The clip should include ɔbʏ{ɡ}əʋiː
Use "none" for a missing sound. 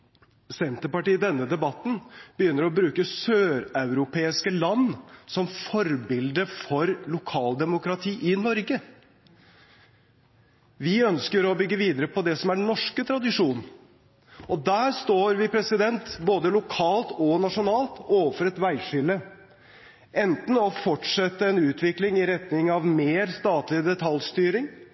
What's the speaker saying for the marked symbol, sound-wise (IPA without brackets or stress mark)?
ɡː